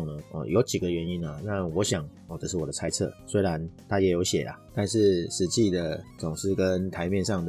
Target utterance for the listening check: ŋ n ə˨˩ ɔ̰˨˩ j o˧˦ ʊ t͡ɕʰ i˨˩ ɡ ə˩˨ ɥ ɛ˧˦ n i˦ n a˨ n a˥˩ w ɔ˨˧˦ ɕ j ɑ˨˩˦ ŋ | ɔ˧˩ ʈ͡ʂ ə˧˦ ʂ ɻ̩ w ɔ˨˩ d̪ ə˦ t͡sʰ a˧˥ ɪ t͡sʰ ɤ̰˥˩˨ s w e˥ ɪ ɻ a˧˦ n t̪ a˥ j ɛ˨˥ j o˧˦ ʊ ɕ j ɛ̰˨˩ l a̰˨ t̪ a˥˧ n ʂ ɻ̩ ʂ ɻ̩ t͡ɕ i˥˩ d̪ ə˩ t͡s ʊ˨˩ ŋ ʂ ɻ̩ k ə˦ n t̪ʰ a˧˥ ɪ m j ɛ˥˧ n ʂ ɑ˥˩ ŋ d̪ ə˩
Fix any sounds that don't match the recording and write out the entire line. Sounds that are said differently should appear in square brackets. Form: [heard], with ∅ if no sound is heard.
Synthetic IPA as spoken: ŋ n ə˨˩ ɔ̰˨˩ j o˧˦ ʊ [t͡ɕ] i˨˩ ɡ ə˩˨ ɥ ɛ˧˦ n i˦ n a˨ n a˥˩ w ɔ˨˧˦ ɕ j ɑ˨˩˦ ŋ | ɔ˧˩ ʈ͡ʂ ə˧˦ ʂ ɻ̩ w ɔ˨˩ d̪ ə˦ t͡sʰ [a˥] ɪ t͡sʰ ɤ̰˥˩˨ s w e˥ ɪ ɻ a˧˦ n [t̪ʰ] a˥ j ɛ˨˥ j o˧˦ ʊ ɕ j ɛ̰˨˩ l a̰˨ t̪ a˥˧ n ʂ ɻ̩ ʂ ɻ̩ t͡ɕ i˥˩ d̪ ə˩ t͡s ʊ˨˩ ŋ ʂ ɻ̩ k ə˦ n t̪ʰ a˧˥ ɪ m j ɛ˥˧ n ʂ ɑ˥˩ ŋ d̪ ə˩